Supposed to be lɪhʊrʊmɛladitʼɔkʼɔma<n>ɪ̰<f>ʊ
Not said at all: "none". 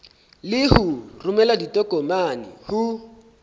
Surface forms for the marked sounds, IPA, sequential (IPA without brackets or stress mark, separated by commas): n, h